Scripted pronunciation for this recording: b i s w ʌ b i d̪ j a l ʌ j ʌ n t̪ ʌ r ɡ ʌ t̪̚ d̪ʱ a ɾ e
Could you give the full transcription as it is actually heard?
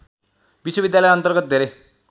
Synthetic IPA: b i s w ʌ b i d̪ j a l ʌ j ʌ n t̪ ʌ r ɡ ʌ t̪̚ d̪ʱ e ɾ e